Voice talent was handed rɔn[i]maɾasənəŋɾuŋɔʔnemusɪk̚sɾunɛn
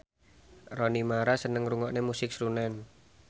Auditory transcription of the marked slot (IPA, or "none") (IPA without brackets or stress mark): i